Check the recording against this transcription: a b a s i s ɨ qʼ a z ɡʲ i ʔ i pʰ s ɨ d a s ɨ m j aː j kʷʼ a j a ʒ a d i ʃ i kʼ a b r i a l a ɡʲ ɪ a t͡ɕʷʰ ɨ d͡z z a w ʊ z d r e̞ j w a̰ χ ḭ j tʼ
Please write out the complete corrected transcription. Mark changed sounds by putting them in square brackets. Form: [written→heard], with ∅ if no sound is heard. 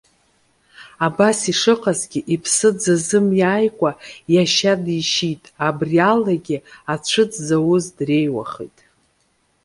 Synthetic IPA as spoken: a b a s i [s→ʂ] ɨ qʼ a z ɡʲ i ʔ i pʰ s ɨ [d→d͡z] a [s→z] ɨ m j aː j kʷʼ a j a [ʒ→ʃ] a d i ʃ i [kʼ→tʼ] a b r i a l a ɡʲ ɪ a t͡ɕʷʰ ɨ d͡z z a w ʊ z d r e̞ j w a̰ χ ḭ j tʼ